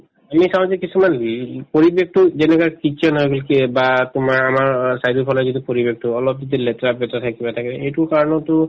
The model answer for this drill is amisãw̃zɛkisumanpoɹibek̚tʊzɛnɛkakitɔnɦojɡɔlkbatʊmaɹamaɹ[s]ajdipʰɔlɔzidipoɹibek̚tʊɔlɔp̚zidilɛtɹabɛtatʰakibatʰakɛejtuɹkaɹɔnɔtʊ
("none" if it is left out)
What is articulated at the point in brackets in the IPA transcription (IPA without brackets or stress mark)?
s